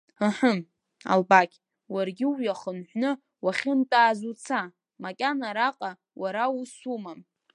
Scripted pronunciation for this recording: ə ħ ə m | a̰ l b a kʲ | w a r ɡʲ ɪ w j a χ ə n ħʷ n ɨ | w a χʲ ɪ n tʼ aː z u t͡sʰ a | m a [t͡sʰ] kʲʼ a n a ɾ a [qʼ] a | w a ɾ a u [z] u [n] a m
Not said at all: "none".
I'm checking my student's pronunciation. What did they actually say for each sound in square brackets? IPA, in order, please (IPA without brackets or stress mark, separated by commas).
none, qʼ, s, m